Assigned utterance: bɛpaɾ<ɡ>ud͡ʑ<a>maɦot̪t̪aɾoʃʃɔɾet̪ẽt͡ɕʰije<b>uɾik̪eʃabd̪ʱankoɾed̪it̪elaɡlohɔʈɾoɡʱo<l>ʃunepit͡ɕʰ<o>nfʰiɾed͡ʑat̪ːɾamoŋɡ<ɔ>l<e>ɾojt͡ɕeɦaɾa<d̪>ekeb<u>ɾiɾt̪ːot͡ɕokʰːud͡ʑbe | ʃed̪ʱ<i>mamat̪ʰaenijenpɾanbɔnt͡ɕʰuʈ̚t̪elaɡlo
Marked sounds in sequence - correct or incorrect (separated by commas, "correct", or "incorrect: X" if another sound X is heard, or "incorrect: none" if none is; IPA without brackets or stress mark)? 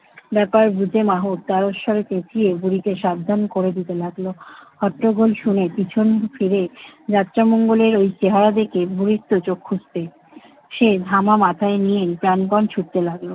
incorrect: b, incorrect: e, correct, correct, correct, incorrect: o, correct, correct, correct, incorrect: a